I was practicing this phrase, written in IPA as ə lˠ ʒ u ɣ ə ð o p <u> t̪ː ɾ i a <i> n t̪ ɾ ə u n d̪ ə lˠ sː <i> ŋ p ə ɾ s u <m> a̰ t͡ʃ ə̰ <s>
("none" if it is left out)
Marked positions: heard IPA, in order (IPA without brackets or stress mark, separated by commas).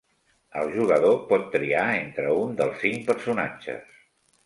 ɔ, e, i, n, s